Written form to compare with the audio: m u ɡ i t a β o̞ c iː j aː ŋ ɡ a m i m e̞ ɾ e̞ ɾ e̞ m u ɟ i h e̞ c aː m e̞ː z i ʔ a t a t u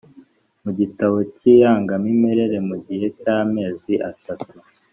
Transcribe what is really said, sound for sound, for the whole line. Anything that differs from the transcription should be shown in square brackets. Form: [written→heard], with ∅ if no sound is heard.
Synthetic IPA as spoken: m u [ɡ→ɟ] i t a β o̞ c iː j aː ŋ ɡ a m i m e̞ ɾ e̞ ɾ e̞ m u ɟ i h e̞ c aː m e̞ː z i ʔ a t a t u